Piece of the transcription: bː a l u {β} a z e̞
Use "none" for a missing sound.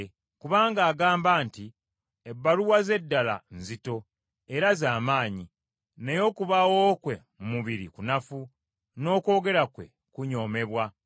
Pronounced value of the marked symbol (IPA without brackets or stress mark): w